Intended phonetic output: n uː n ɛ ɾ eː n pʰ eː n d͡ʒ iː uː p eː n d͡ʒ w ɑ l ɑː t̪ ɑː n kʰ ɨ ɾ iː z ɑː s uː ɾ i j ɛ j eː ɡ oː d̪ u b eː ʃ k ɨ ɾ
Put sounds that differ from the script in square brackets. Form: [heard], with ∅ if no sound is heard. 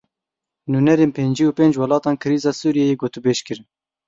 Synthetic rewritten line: n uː n ɛ ɾ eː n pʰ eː n d͡ʒ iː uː p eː n d͡ʒ w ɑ l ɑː t̪ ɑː n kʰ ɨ ɾ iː z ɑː s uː ɾ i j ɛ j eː ɡ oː [t̪] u b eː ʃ k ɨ ɾ